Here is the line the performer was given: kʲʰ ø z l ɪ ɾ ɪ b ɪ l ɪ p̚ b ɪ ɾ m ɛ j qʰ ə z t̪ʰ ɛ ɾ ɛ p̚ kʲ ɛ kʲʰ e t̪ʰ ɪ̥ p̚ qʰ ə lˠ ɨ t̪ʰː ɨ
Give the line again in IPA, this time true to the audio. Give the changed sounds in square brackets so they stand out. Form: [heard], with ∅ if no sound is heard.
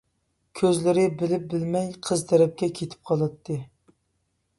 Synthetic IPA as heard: kʲʰ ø z l ɪ ɾ ɪ b ɪ l ɪ p̚ b ɪ [l] m ɛ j qʰ ə z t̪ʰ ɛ ɾ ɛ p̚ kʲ ɛ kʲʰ e t̪ʰ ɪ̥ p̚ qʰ [ɑ] lˠ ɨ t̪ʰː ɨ